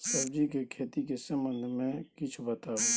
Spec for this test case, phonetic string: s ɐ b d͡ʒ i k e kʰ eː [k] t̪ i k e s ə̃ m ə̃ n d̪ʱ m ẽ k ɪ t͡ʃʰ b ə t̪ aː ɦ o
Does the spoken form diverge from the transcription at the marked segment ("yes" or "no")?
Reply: yes